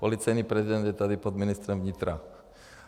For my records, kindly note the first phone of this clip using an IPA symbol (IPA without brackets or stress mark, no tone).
p